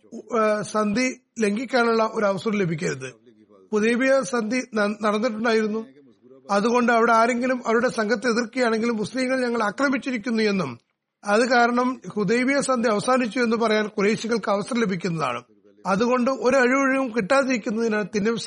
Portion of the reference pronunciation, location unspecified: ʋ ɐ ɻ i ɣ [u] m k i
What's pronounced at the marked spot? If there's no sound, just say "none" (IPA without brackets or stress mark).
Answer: u